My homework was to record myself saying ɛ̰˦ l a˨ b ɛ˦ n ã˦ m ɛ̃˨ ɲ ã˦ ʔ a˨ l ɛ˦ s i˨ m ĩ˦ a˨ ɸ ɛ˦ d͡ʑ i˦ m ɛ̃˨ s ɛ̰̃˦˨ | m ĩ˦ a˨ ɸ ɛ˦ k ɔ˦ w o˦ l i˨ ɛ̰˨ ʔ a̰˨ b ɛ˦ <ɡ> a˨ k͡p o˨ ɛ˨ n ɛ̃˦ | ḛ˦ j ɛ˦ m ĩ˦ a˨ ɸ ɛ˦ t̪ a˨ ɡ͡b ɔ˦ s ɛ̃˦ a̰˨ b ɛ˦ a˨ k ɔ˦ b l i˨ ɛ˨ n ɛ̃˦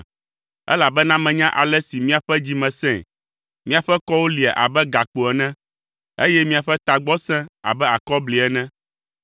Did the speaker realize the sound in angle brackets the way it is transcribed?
yes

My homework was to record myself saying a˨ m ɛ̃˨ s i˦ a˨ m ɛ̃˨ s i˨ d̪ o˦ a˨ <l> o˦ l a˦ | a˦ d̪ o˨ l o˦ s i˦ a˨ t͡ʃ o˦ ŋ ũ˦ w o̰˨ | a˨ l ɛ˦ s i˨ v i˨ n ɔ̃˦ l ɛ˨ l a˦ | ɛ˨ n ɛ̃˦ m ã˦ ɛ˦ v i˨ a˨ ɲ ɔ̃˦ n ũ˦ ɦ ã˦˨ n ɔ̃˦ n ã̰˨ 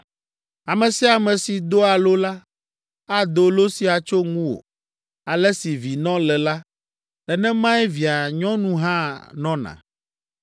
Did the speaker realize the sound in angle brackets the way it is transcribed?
yes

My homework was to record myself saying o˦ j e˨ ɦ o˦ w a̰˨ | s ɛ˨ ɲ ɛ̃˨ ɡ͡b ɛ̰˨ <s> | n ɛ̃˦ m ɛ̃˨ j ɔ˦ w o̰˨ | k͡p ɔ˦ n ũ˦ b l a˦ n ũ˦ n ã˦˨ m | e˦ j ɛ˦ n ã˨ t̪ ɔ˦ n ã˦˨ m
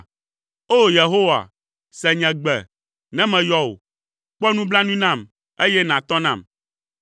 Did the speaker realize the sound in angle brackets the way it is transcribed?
no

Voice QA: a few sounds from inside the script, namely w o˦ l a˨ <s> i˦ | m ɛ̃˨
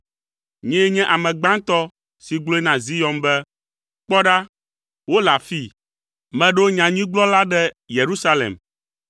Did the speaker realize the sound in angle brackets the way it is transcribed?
no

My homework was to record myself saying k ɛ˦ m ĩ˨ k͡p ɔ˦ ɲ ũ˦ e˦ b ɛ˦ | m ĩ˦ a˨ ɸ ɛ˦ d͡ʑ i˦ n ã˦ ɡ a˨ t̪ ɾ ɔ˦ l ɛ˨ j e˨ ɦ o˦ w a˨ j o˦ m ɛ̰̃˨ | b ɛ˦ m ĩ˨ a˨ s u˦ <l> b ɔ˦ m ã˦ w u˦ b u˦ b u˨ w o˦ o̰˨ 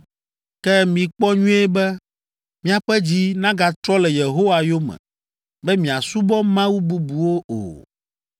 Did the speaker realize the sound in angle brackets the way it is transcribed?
no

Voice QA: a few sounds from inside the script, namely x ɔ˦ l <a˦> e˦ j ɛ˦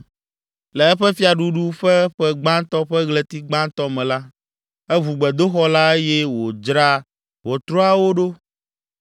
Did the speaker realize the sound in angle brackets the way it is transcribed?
yes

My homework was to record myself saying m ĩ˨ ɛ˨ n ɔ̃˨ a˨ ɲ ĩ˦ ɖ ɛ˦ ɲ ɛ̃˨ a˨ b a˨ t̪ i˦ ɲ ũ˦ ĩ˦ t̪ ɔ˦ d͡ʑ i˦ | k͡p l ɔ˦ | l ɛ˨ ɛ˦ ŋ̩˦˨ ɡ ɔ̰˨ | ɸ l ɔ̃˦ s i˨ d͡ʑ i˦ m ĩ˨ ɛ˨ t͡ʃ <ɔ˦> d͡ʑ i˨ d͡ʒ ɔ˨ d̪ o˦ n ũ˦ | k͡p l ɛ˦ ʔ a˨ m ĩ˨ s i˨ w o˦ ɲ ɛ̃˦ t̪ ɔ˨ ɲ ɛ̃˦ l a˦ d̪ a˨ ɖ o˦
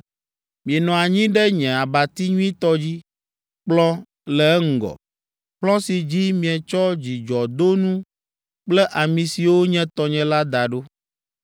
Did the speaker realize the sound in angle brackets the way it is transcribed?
yes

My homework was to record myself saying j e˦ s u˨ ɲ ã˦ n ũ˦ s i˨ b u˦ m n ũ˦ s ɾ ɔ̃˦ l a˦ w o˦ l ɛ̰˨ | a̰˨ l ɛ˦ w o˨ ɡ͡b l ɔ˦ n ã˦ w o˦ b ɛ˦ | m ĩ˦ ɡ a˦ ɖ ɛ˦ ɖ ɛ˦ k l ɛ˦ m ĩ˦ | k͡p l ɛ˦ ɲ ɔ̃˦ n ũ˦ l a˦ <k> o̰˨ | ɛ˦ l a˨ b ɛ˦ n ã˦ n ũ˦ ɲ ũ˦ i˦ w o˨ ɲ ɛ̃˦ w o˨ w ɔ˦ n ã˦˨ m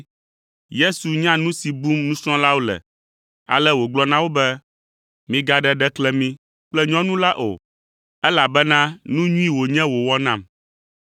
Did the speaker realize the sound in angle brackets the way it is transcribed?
no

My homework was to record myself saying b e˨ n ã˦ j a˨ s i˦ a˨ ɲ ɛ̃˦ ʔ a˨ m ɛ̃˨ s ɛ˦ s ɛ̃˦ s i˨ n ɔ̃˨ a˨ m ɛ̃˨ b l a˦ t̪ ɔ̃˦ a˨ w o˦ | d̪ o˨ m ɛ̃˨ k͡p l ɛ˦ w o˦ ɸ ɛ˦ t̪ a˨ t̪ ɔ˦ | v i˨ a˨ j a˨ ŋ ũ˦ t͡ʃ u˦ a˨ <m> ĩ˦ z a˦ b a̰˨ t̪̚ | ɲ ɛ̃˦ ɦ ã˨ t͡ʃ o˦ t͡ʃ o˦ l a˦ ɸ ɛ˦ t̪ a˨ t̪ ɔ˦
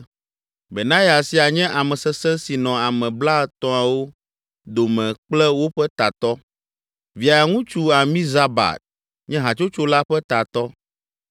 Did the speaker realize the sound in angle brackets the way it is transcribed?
yes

